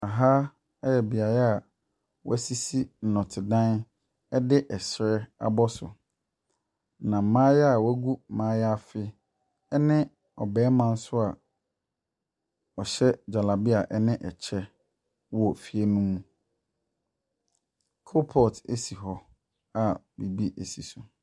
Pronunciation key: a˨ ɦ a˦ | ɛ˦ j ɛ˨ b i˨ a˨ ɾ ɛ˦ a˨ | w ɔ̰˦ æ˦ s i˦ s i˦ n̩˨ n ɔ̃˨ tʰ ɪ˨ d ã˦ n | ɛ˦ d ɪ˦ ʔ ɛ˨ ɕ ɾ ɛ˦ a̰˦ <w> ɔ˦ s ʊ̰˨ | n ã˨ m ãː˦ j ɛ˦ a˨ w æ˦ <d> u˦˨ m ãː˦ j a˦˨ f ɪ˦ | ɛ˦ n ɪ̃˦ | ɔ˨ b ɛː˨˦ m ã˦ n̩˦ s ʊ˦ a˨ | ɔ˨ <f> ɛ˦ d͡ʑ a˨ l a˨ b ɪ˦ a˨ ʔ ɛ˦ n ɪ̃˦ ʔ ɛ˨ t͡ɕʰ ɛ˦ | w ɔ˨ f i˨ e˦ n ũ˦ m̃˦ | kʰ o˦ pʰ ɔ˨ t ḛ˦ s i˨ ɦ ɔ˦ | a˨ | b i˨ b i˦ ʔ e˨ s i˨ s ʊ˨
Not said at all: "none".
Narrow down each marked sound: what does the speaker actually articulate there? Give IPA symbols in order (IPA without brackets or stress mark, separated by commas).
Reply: b, ɡ, ɕ